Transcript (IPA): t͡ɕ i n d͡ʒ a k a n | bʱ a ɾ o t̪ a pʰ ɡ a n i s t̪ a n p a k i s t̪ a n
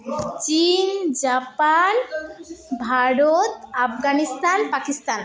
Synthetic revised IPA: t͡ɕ i n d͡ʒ a p a n | bʱ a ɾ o t̪ a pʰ ɡ a n i s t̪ a n p a k i s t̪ a n